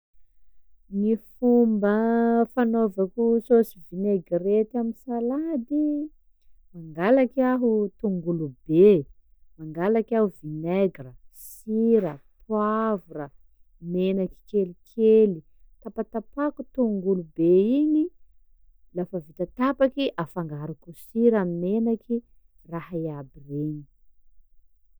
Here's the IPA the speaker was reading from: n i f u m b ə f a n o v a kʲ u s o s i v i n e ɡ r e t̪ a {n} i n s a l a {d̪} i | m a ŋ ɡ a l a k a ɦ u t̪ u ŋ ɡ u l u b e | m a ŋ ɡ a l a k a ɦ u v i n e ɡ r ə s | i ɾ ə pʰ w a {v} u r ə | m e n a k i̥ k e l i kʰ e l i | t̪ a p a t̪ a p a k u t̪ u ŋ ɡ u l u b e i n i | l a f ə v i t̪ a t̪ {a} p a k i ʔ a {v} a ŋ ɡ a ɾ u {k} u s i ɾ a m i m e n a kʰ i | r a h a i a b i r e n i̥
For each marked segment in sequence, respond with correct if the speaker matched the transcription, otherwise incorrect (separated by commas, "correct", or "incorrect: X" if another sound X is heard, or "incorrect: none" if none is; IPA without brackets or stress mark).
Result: incorrect: m, correct, correct, correct, incorrect: f, correct